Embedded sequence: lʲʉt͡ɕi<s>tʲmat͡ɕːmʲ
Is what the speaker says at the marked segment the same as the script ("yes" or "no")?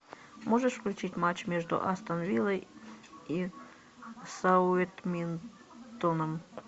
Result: no